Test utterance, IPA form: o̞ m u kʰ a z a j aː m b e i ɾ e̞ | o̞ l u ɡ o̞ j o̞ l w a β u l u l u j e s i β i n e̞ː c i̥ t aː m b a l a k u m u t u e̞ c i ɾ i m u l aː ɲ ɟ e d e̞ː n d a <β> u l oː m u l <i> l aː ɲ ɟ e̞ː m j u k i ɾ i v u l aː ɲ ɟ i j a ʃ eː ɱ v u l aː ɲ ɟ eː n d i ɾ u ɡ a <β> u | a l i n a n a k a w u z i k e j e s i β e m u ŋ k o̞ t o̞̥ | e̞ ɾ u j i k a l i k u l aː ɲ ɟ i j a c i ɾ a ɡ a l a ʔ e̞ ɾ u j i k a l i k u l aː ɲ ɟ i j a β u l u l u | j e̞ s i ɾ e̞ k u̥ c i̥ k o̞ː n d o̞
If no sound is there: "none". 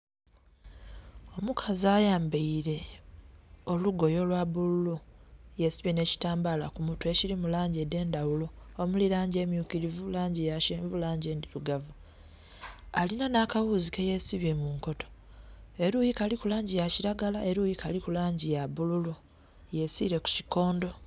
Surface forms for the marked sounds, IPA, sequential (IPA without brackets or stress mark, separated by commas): w, i, v